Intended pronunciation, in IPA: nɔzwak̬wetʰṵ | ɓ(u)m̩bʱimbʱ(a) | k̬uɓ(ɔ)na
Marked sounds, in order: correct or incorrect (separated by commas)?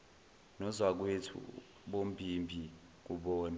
incorrect, incorrect, incorrect